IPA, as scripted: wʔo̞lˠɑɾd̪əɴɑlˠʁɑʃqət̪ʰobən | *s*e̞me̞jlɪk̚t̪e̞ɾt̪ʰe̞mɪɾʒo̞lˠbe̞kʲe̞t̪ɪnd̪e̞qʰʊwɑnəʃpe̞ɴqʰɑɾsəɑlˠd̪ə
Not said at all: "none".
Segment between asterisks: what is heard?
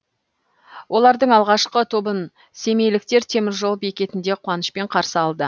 s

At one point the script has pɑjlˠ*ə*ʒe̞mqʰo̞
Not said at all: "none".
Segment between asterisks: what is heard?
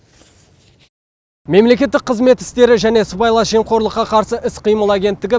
ɑ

